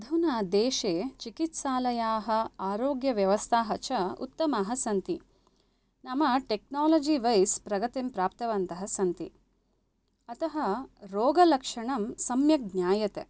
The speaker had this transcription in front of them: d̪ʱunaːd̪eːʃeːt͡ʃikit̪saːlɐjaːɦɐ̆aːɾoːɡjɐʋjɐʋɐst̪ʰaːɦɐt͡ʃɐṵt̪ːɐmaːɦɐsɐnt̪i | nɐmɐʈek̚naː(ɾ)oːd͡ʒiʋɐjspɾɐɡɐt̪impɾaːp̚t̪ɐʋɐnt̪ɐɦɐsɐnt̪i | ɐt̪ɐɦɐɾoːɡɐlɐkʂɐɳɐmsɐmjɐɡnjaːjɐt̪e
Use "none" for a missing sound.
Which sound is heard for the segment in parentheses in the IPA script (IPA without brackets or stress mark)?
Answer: l